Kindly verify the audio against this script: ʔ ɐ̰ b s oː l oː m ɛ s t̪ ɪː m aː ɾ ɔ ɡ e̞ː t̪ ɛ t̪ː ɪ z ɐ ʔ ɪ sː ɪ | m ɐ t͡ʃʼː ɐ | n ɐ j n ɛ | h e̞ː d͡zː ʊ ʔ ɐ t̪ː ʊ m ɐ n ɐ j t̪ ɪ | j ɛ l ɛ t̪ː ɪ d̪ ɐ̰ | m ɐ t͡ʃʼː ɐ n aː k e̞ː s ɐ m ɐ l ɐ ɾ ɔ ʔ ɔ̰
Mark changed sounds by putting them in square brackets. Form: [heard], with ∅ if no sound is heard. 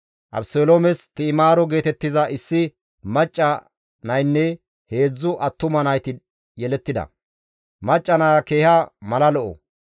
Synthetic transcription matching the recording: ʔ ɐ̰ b s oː l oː m ɛ s t̪ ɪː m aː ɾ ɔ ɡ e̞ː t̪ ɛ t̪ː ɪ z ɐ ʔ ɪ sː ɪ | m ɐ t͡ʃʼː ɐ | n ɐ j [nː] ɛ | h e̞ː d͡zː ʊ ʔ ɐ t̪ː ʊ m ɐ n ɐ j t̪ ɪ | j ɛ l ɛ t̪ː ɪ d̪ ɐ̰ | m ɐ t͡ʃʼː ɐ n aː k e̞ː [h] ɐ m ɐ l ɐ [l] ɔ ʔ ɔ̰